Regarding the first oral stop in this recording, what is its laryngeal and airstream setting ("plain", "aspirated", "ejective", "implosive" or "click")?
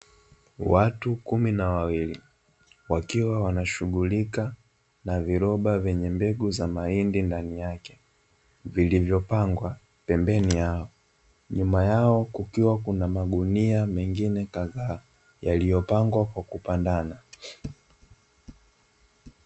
plain